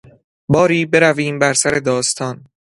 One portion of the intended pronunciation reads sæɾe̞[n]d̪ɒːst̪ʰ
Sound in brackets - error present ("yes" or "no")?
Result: yes